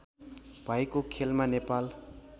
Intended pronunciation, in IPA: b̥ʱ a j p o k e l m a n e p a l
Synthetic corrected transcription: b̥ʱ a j k o kʰ e l m a n e p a l